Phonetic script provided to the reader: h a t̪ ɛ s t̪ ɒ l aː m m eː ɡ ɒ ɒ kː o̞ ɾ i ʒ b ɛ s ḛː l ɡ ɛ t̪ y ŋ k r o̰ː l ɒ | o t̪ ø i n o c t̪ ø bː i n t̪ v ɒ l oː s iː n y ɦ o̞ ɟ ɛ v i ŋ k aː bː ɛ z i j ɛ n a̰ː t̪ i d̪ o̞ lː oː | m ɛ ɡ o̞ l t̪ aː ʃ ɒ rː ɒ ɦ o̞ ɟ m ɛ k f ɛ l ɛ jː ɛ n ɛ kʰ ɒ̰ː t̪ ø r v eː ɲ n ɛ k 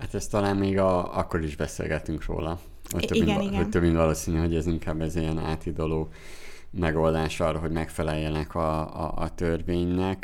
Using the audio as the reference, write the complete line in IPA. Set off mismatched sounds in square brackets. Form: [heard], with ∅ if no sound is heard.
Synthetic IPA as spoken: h a t̪ ɛ s t̪ ɒ l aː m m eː ɡ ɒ ɒ kː o̞ ɾ i ʒ b ɛ s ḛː l ɡ ɛ t̪ y ŋ k r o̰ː l ɒ | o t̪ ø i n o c t̪ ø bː i n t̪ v ɒ l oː s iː n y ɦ o̞ ɟ ɛ [z] i ŋ k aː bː ɛ z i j ɛ n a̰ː t̪ i d̪ o̞ [l] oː | m ɛ ɡ o̞ l [d̪] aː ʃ ɒ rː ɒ ɦ o̞ ɟ m ɛ k f ɛ l ɛ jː ɛ n ɛ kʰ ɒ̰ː t̪ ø r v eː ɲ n ɛ k